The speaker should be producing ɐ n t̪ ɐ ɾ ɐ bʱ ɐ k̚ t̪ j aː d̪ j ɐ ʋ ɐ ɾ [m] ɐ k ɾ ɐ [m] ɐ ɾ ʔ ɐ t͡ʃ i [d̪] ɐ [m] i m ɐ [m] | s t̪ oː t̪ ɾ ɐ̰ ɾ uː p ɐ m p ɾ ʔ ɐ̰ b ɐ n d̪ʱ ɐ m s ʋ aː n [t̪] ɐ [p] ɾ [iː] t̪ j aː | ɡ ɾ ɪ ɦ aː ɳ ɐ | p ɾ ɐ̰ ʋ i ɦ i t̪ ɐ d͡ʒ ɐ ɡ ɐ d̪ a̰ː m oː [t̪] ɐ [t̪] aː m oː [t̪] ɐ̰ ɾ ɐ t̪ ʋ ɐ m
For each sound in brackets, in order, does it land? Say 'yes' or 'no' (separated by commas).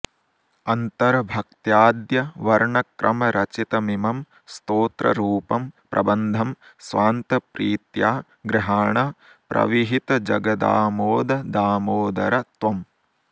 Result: no, yes, no, yes, yes, yes, yes, yes, no, no, no